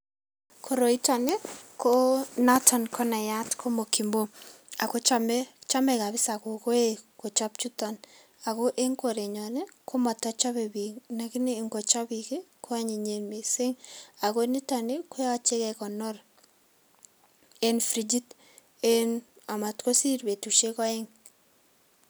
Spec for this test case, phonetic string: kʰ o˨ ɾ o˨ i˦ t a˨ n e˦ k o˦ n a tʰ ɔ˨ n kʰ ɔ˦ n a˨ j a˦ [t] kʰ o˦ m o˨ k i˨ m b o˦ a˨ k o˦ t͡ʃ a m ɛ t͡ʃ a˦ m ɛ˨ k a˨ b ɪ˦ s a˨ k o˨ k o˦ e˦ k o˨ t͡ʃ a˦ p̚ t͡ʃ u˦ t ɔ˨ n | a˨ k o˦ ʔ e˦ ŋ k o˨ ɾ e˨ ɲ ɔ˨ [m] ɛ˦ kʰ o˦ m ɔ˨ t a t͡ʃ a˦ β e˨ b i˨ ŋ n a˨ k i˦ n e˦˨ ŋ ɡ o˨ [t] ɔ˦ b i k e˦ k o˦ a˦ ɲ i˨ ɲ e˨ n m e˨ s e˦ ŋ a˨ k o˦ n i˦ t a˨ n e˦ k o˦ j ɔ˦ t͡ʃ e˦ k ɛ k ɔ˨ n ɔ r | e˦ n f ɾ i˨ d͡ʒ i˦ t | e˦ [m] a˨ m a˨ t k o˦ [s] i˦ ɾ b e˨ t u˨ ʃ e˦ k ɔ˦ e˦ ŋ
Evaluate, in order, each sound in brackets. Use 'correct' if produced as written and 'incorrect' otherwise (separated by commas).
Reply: correct, incorrect, incorrect, incorrect, correct